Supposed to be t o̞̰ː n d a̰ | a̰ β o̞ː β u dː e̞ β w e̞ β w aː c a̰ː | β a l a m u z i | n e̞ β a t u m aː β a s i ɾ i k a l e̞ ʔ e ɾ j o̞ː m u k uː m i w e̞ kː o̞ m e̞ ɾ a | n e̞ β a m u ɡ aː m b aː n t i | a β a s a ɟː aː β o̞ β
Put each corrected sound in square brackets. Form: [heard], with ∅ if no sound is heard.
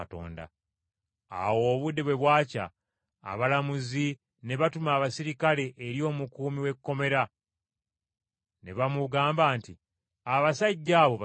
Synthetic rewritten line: t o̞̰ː n d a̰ | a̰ [w] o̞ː β u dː e̞ β w e̞ β w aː c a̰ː | β a l a m u z i | n e̞ β a t u m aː β a s i ɾ i k a l e̞ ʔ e ɾ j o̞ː m u k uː m i w e̞ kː o̞ m e̞ ɾ a | n e̞ β a m u ɡ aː m b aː n t i | a β a s a ɟː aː β o̞ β